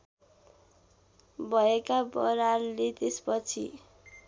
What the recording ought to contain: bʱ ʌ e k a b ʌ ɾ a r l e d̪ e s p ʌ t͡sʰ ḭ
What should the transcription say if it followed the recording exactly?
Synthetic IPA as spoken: bʱ ʌ e k a b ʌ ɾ a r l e t̪ e s p ʌ t͡sʰ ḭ

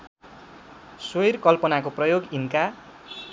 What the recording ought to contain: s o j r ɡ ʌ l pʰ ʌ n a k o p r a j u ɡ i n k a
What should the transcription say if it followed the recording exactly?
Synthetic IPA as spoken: s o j r k ʌ l p ʌ n a k o p r ʌ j o ɡ i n k a

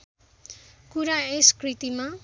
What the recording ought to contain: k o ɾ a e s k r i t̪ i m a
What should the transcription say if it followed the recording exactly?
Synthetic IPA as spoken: k u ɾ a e s k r i t̪ i m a

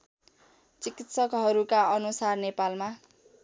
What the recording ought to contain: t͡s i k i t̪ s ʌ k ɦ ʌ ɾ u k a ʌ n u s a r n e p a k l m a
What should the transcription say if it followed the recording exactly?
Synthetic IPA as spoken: t͡s i k i t̪ s ʌ k ɦ ʌ ɾ u k a ʌ n u s a r n e p a l m a

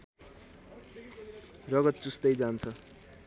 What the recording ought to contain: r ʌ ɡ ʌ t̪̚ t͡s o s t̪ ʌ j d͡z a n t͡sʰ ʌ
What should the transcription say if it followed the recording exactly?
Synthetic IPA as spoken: r ʌ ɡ ʌ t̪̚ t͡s u s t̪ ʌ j d͡z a n t͡sʰ ʌ

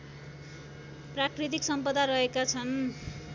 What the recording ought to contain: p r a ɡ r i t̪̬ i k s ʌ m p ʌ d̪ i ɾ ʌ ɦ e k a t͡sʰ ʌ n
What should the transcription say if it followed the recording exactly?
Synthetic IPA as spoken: p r a k r i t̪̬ i k s ʌ m p ʌ d̪ a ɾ ʌ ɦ e k a t͡sʰ ʌ n

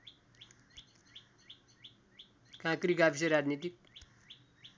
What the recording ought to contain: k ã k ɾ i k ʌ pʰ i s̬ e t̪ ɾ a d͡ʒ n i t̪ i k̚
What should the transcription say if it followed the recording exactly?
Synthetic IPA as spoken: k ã k ɾ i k a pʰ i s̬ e ɾ a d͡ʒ n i t̪ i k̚

